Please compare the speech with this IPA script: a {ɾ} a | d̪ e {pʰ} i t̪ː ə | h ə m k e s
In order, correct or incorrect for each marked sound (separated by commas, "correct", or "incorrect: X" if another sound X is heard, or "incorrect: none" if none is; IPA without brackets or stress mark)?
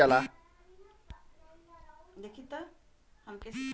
incorrect: l, incorrect: kʰ